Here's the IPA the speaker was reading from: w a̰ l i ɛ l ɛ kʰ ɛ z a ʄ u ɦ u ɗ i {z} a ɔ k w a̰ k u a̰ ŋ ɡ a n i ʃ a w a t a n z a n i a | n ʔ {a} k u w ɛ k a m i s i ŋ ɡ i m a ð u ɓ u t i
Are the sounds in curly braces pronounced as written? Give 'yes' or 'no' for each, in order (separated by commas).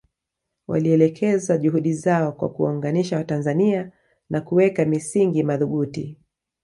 yes, yes